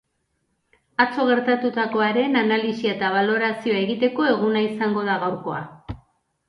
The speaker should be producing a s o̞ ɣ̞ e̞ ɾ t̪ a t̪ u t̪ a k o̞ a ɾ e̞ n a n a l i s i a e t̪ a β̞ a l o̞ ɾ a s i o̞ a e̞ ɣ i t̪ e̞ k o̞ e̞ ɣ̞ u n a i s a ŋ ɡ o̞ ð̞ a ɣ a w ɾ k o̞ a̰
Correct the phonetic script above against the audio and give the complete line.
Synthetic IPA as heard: a t͡s o̞ ɣ̞ e̞ ɾ t̪ a t̪ u t̪ a k o̞ a ɾ e̞ n a n a l i s i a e t̪ a β̞ a l o̞ ɾ a s i o̞ a e̞ ɣ i t̪ e̞ k o̞ e̞ ɣ̞ u n a i s a ŋ ɡ o̞ ð̞ a ɣ a w ɾ k o̞ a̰